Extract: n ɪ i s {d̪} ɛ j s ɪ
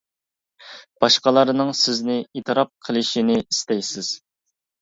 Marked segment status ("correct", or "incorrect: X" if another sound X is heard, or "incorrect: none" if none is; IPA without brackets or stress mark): incorrect: t̪